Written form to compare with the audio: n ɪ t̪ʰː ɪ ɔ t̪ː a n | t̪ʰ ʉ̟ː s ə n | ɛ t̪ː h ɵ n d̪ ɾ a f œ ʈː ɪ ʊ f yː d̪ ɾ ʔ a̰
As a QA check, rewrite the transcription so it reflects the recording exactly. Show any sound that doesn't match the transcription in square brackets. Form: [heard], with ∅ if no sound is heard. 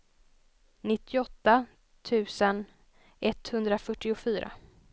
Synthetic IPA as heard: n ɪ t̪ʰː ɪ ɔ t̪ː a [∅] | t̪ʰ ʉ̟ː s ə n | ɛ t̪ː h ɵ n d̪ ɾ a f œ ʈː ɪ ʊ f yː [∅] ɾ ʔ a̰